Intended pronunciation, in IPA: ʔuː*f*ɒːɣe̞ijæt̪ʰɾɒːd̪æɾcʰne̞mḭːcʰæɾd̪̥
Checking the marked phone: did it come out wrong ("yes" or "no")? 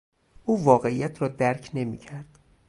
yes